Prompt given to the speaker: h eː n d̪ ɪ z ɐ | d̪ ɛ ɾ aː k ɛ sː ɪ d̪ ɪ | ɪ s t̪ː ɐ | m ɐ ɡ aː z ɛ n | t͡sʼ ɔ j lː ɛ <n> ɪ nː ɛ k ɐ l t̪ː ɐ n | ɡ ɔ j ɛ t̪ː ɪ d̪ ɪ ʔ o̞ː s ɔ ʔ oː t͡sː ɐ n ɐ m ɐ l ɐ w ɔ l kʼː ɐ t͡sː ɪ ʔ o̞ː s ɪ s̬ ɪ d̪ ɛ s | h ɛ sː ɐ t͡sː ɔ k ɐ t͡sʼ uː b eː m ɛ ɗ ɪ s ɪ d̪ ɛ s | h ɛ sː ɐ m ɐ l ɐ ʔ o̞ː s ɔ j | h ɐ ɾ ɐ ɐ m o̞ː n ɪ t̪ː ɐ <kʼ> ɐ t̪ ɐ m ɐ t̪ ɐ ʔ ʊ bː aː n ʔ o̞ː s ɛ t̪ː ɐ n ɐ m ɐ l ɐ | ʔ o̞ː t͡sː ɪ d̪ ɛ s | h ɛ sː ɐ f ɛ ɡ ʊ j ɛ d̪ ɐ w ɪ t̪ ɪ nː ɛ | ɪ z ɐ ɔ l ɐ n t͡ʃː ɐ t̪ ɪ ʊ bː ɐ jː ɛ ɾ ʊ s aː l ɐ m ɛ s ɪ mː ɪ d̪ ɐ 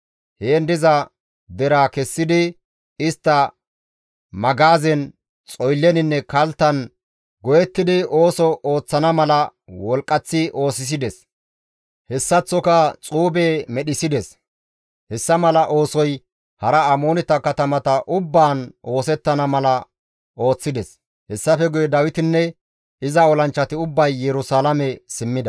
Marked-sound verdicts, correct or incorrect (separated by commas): correct, incorrect